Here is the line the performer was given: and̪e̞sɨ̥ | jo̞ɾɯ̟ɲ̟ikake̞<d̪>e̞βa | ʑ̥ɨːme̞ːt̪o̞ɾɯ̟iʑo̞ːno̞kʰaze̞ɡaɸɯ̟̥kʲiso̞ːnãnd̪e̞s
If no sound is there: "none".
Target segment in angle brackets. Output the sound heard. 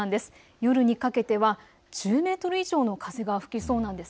t̪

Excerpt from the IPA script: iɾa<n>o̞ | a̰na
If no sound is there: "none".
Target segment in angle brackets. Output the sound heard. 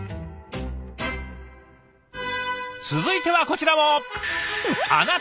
m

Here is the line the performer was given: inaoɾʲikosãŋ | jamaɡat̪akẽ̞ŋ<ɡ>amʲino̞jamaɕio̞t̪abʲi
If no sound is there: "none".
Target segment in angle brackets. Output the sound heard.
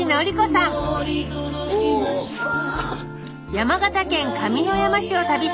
k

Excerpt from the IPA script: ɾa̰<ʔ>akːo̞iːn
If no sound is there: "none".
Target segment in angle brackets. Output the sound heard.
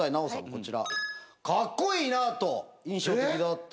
k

